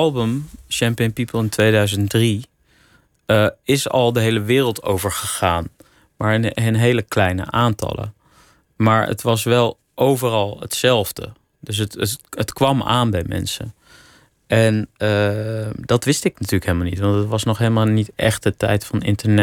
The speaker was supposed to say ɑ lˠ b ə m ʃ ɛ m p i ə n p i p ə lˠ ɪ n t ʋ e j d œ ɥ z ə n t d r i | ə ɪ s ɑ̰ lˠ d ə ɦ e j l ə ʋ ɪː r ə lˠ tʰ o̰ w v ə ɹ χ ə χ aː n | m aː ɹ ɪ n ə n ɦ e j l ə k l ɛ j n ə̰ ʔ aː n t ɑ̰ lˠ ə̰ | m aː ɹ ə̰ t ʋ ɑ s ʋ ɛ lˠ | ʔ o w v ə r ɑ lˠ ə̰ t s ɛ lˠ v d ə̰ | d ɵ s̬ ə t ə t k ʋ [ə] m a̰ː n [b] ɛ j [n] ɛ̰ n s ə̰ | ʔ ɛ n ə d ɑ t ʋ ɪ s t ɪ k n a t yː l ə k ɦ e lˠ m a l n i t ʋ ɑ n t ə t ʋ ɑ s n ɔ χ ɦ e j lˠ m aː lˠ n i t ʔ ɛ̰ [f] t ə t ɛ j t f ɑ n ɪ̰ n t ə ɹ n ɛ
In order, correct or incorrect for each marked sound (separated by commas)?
incorrect, correct, incorrect, incorrect